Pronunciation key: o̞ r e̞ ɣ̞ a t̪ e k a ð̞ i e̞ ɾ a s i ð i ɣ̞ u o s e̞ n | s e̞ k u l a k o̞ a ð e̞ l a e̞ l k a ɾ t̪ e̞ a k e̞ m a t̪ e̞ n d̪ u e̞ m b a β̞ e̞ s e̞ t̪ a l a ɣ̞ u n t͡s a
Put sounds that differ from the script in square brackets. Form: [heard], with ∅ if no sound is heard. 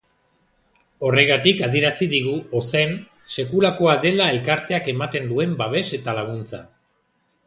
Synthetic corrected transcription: o̞ r e̞ ɣ̞ a t̪ [i] k a ð̞ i e̞ ɾ a s i ð i ɣ̞ u o s e̞ n | s e̞ k u l a k o̞ a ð e̞ l a e̞ l k a ɾ t̪ e̞ a k e̞ m a t̪ e̞ n d̪ u e̞ m b a β̞ e̞ s e̞ t̪ a l a ɣ̞ u n t͡s a